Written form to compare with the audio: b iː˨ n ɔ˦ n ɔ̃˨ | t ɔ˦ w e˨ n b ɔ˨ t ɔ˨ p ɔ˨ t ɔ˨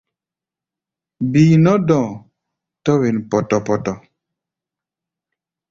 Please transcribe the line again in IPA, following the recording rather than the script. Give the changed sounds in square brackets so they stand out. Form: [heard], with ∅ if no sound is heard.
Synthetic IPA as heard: b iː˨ n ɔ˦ [d] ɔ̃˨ | t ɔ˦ w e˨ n [p] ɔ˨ t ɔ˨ p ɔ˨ t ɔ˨